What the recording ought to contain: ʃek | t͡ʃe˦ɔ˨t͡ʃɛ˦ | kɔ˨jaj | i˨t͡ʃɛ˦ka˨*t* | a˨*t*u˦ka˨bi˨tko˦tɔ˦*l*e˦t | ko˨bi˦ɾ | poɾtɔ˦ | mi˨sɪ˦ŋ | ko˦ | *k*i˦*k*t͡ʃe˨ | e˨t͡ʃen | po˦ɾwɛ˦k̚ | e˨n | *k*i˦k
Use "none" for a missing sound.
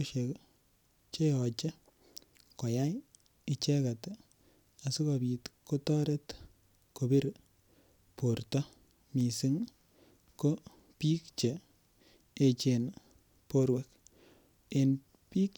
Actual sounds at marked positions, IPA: t, s, ɾ, p, k, p

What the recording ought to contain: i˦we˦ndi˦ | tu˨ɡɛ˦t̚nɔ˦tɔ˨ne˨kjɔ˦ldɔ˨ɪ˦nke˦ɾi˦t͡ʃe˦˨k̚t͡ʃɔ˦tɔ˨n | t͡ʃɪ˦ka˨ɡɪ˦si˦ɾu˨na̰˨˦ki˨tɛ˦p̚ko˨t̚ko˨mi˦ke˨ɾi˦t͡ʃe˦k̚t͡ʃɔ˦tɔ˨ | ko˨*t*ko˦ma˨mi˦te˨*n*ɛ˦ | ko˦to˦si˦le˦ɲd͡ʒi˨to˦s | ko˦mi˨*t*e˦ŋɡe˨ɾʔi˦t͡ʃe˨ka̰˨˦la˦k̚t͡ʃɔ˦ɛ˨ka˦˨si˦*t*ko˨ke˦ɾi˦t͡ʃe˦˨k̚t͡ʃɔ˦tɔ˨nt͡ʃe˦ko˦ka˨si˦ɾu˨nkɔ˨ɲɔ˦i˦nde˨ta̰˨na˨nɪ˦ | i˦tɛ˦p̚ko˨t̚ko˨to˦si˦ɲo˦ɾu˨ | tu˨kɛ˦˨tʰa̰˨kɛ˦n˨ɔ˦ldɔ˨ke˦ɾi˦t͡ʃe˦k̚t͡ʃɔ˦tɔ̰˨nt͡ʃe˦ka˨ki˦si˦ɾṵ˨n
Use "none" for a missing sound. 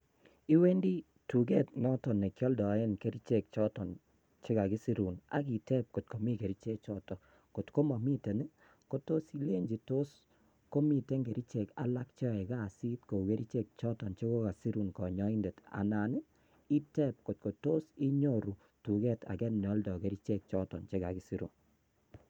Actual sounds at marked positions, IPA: t, n, t, t

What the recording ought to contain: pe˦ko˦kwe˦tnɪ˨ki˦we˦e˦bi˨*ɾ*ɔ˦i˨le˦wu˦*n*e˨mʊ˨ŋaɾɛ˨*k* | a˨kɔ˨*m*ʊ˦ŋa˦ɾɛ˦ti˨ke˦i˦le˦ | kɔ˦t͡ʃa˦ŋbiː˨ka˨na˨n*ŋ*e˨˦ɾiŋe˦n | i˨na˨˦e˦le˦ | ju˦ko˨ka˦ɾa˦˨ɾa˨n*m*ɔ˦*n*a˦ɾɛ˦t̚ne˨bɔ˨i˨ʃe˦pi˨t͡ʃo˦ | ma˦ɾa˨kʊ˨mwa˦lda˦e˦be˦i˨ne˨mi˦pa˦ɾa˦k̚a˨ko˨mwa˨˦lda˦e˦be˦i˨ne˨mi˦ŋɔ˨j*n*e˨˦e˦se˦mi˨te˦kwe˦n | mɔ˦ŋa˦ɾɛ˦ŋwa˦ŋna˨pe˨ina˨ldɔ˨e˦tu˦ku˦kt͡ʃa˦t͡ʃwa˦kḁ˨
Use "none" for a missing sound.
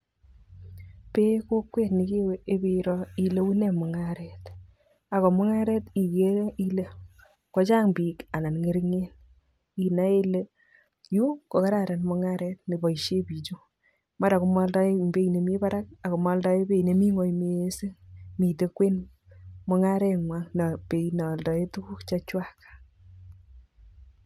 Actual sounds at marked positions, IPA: ɾ, n, t, m, ŋ, m, ŋ, m

